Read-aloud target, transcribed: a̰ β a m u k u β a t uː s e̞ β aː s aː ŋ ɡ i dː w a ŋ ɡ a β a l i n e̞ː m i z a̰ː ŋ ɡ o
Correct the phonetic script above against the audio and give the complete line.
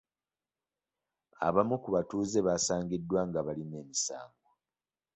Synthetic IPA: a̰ β a m u k u β a t uː z e̞ β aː s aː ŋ ɡ i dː w a ŋ ɡ a β a l i n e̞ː m i s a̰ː ŋ ɡ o